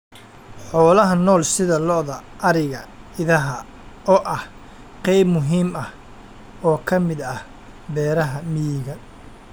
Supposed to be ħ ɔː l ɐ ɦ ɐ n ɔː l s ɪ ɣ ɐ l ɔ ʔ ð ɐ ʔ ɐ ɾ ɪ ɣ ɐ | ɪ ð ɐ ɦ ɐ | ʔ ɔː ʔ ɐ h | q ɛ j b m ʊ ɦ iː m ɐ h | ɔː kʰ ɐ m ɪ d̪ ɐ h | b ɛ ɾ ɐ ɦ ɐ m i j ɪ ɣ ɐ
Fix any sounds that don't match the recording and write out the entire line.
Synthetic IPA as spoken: ħ ɔː l ɐ ɦ ɐ n ɔː l s ɪ ð ɐ l ɔ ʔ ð ɐ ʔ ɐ ɾ ɪ ɣ ɐ | ɪ ð ɐ ɦ ɐ | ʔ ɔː ʔ ɐ h | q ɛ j b m ʊ ɦ iː m ɐ h | ɔː kʰ ɐ m ɪ d̪ ɐ h | b ɛː ɾ ɐ ɦ ɐ m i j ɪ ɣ ɐ

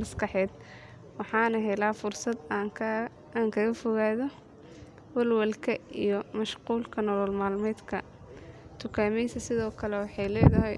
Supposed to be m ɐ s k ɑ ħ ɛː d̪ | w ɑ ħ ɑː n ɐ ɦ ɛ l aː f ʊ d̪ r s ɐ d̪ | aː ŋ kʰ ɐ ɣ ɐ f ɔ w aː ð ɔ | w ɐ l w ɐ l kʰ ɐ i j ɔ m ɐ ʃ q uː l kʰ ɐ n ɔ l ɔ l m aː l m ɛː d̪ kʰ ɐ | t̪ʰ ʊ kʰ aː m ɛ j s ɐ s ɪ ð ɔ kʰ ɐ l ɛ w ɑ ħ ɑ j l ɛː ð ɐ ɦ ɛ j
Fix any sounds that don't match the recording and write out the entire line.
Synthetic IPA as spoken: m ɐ s k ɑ ħ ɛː d̪ | w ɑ ħ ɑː n ɐ ɦ ɛ l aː f ʊ r s ɐ d̪ | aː ŋ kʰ ɐ ɣ ɐ f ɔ ɣ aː ð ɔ | w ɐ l w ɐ l kʰ ɐ i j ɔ m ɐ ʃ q uː l kʰ ɐ n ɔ l ɔ l m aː l m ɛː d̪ kʰ ɐ | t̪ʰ ʊ kʰ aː m ɛ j s ɐ s ɪ ð ɔː kʰ ɐ l ɛ w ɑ ħ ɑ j l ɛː ð ɐ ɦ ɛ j

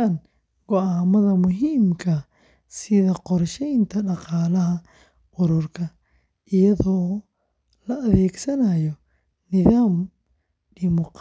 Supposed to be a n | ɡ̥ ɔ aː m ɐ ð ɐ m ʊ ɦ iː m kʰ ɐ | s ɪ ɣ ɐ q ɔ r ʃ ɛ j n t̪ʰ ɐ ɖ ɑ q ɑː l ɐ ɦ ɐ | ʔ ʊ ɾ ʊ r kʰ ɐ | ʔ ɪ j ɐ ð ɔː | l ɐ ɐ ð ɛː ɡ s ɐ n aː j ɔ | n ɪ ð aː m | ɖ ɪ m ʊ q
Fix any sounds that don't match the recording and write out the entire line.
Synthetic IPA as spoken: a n | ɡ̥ ɔ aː m ɐ ð ɐ m ʊ ɦ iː m kʰ ɐ | s ɪ ð ɐ q ɔ r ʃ ɛ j n t̪ʰ ɐ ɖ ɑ q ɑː l ɐ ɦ ɐ | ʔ ʊ ɾ ʊ r kʰ ɐ | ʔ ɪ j ɐ ð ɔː | l ɐ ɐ ð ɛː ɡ s ɐ n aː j ɔ | n ɪ ð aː m | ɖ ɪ m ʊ q

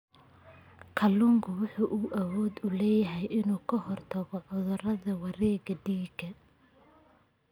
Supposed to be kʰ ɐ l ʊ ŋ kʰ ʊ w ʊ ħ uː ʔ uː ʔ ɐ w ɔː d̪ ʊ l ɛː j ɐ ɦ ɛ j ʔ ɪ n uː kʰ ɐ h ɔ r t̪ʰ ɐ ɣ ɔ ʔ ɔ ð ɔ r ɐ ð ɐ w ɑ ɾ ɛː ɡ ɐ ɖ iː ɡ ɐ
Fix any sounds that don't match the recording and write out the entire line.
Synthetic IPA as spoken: kʰ ɐ l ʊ ŋ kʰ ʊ w ʊ ħ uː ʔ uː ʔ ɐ w ɔː d̪ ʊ l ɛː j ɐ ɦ ɛ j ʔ ɪ n uː kʰ ɐ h ɔ r t̪ʰ ɐ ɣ ɔ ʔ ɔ ð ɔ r ɐ ð ɐ w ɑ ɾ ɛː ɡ ɐ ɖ iː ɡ ɐ

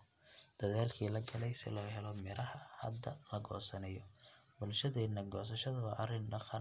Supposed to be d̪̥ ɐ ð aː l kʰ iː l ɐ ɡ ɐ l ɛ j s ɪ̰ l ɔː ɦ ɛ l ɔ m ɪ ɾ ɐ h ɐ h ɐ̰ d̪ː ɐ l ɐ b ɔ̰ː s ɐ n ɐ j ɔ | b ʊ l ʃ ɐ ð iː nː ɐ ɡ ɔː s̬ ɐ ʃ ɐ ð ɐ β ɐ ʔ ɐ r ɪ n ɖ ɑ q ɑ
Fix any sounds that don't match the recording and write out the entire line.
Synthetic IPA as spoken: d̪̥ ɐ ð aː l kʰ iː l ɐ ɡ ɐ l ɛ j s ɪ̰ l ɔː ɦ ɛ l ɔ m ɪ ɾ ɐ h ɐ h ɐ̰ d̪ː ɐ l ɐ ɡ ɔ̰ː s ɐ n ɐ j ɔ | b ʊ l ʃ ɐ ð ɛː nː ɐ ɡ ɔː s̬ ɐ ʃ ɐ ð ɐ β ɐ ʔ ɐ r ɪ n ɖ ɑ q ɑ

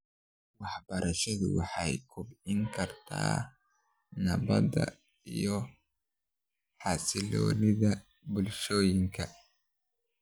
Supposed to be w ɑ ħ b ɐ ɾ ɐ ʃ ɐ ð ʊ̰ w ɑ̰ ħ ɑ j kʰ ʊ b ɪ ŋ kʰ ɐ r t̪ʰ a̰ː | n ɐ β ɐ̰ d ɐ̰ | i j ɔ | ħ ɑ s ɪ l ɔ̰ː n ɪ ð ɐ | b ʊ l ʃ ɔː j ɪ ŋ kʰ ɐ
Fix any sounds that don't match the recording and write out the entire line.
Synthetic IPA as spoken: w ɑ ħ b ɐ ɾ ɐ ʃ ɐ ð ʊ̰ w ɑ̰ ħ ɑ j kʰ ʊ b ɪ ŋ kʰ ɐ r t̪ʰ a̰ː | n ɐ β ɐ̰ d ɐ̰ | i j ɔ | ħ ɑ s ɪ l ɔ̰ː n ɪ ð ɐ | b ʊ l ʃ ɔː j ɪ ŋ kʰ ɐ

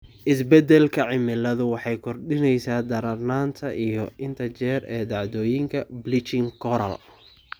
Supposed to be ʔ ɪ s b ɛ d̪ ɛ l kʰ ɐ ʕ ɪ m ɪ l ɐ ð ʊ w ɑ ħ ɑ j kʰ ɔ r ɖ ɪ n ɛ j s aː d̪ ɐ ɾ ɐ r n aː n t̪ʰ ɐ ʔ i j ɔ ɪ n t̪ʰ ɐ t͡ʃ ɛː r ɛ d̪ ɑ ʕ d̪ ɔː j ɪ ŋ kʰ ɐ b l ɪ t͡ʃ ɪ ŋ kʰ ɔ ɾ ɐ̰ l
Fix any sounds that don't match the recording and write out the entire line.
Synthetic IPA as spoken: ʔ ɪ s b ɛ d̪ ɛ l kʰ ɐ ʕ ɪ m ɪ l ɐ ð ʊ w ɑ ħ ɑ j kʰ ɔ r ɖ ɪ n ɛ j s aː d̪ ɐ ɾ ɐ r n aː n t̪ʰ ɐ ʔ i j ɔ ɪ n t̪ʰ ɐ t͡ʃ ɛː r ɛː d̪ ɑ ʕ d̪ ɔː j ɪ ŋ kʰ ɐ b l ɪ t͡ʃ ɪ ŋ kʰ ɔ ɾ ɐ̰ l

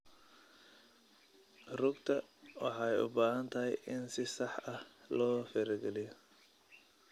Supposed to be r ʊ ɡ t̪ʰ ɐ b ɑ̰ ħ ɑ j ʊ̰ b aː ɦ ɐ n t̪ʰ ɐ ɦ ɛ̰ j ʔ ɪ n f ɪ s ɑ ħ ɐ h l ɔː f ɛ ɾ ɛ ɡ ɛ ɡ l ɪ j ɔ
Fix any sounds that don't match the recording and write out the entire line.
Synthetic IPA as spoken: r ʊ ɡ t̪ʰ ɐ w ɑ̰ ħ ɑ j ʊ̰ b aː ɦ ɐ n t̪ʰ ɐ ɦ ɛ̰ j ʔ ɪ n s ɪ s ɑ ħ ɐ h l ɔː f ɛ ɾ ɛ ɡ ɛ l ɪ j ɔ

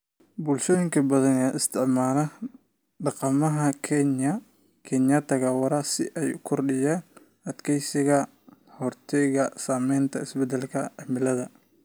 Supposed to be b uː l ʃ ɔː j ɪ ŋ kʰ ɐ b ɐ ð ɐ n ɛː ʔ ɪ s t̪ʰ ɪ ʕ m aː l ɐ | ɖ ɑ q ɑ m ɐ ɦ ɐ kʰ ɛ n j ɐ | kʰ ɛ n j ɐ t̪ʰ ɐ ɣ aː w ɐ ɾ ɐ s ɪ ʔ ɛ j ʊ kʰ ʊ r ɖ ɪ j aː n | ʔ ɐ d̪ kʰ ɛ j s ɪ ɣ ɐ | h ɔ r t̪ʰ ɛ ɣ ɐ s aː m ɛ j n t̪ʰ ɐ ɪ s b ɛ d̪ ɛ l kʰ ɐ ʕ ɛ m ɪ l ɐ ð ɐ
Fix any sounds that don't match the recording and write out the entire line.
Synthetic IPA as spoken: b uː l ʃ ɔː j ɪ ŋ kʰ ɐ b ɐ ð ɐ n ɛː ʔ ɪ s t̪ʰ ɪ ʕ m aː l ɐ | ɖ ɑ q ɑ m ɐ ɦ ɐ kʰ ɛ n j ɐ | kʰ ɛ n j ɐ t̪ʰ ɐ ɣ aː w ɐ ɾ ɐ s ɪ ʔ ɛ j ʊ kʰ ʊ r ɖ ɪ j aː n | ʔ ɐ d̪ kʰ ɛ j s ɪ ɣ ɐ | h ɔ r t̪ʰ ɛ ɣ ɐ s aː m ɛ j n t̪ʰ ɐ ɪ s b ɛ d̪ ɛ l kʰ ɐ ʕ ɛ m ɪ l ɐ ð ɐ

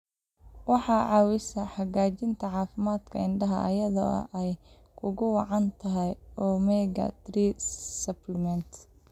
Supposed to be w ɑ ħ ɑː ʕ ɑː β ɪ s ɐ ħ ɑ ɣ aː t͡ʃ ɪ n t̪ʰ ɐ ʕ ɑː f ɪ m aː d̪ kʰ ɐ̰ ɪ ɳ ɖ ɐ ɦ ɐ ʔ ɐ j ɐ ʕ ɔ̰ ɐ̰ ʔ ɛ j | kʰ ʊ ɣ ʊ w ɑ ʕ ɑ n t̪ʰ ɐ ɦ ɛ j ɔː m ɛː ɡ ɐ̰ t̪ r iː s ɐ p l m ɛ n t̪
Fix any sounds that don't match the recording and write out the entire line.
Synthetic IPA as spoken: w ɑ ħ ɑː ʕ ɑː w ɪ s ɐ ħ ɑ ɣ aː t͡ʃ ɪ n t̪ʰ ɐ ʕ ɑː f ɪ m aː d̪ kʰ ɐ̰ ɪ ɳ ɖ ɐ ɦ ɐ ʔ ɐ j ɐ ð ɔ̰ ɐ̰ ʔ ɛ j | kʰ ʊ ɣ ʊ w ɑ ʕ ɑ n t̪ʰ ɐ ɦ ɛ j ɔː m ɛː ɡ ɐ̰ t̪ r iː s ɐ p l m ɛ n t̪

